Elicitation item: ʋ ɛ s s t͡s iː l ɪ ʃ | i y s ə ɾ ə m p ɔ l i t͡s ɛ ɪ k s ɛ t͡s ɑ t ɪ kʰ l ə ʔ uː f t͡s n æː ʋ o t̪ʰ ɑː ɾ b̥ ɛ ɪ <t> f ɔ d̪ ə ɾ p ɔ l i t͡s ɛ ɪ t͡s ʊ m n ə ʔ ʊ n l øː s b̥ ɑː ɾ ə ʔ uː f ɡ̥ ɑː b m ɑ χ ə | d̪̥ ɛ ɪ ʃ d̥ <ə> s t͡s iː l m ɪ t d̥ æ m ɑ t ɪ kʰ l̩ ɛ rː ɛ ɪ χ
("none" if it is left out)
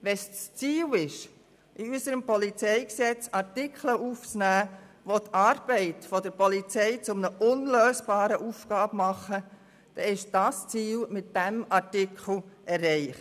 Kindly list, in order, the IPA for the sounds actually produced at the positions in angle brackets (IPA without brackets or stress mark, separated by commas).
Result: t, ɑ